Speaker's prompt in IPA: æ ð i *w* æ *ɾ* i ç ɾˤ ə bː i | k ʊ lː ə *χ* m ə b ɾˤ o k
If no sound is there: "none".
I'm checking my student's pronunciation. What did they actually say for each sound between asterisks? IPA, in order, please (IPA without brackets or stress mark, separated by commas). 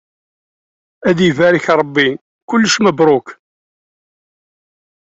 v, ɾ, ʃ